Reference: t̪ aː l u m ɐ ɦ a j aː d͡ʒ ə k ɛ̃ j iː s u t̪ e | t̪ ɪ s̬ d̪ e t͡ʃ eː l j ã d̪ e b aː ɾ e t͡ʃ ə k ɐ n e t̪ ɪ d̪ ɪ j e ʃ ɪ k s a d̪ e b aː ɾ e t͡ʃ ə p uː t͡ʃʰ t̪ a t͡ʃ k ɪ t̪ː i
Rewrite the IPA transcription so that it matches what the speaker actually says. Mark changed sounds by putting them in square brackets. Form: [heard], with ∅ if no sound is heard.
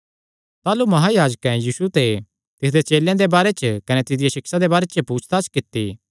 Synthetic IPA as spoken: t̪ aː l u m ɐ ɦ a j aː d͡ʒ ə k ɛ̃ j iː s u t̪ e | t̪ ɪ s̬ d̪ e t͡ʃ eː l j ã d̪ e b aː ɾ e t͡ʃ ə k ɐ n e t̪ ɪ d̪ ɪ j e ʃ ɪ k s a d̪ e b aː ɾ e t͡ʃ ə p uː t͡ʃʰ t̪ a t͡ʃ k ɪ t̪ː i